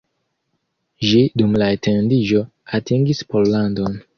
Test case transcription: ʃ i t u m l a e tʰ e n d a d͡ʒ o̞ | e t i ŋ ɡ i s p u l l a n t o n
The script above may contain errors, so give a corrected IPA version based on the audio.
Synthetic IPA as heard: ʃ i d u m l a e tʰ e n d i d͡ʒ o̞ | a t i ŋ ɡ i s p o l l a n d o n